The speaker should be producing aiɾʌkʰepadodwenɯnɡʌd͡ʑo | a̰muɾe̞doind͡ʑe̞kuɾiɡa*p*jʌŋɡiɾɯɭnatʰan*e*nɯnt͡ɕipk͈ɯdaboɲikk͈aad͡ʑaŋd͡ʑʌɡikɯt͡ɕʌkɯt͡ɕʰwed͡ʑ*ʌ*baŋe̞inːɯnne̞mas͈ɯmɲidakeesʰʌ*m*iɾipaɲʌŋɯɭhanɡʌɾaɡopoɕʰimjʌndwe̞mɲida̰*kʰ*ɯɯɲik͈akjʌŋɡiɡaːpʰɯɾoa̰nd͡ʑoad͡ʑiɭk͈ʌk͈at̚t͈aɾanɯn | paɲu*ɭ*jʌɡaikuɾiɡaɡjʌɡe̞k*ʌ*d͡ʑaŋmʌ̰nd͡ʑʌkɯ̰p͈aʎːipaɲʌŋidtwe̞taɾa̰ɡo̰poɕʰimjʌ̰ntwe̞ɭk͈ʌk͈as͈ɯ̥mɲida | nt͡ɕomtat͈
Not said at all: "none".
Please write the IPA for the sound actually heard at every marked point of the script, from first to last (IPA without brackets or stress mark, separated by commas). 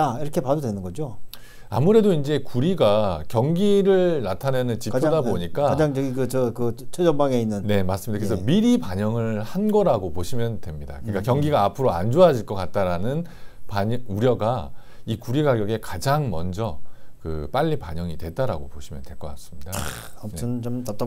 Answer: k, e, ʌ, m, k, ɾ, a